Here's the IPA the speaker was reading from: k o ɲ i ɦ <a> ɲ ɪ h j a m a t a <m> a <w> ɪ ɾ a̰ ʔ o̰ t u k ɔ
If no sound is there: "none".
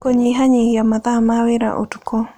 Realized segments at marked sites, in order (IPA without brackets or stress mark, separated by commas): a, m, w